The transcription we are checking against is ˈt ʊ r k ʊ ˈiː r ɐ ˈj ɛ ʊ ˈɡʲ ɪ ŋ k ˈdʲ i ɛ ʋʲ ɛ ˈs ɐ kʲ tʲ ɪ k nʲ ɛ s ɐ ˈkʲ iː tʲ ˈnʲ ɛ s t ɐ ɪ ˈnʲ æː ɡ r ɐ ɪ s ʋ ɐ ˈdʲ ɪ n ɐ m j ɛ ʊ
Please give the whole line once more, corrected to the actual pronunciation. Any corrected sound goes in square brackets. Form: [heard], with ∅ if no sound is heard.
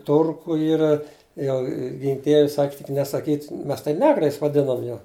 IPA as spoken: ˈt ʊ r k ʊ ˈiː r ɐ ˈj ɛ ʊ ˈɡʲ ɪ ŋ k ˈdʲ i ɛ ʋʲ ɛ ˈs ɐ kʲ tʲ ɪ k nʲ ɛ s ɐ ˈkʲ iː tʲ [ˈmʲ] ɛ s t ɐ ɪ ˈnʲ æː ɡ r ɐ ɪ s ʋ ɐ ˈdʲ ɪ n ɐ m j ɛ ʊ